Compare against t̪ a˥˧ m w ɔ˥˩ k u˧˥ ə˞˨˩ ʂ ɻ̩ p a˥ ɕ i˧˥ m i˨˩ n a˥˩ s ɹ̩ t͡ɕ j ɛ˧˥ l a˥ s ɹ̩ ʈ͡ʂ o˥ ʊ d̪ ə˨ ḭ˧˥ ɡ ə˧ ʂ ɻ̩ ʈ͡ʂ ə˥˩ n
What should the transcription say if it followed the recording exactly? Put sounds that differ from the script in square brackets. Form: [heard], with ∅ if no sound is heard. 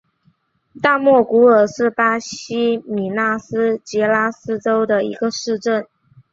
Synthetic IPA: t̪ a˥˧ m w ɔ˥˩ k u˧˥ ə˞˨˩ ʂ ɻ̩ p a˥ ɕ [i˥] m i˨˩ n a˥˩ s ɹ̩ t͡ɕ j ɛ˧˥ l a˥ s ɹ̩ ʈ͡ʂ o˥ ʊ d̪ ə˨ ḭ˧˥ ɡ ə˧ ʂ ɻ̩ ʈ͡ʂ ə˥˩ n